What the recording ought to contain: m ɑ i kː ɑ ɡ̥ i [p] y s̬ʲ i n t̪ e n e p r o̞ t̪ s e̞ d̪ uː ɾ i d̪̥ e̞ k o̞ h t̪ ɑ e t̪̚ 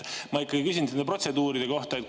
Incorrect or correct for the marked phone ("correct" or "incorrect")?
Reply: incorrect